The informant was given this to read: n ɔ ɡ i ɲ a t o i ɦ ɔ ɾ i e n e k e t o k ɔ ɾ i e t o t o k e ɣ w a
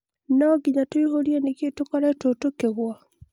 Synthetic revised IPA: n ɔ ɡ i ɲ a t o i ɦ o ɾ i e n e k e t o k ɔ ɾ a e t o t o k e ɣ w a